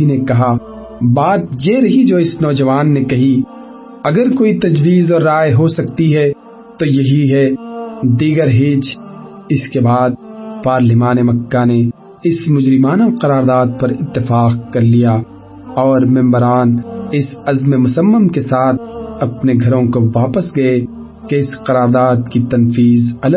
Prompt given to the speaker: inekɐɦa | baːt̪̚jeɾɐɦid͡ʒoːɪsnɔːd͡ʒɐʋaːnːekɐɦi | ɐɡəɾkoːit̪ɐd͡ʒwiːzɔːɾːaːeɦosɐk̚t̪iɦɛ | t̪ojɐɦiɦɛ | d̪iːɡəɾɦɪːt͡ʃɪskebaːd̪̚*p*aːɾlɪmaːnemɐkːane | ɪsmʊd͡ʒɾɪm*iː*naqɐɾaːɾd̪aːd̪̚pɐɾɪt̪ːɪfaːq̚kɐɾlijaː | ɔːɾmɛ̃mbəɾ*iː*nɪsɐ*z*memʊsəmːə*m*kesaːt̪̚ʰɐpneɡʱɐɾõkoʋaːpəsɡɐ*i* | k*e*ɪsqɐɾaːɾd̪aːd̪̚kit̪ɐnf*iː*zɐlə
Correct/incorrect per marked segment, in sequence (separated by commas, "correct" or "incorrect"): correct, incorrect, incorrect, correct, correct, incorrect, correct, correct